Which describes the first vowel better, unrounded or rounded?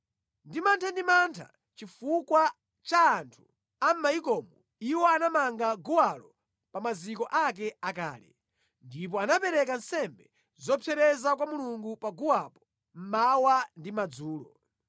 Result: unrounded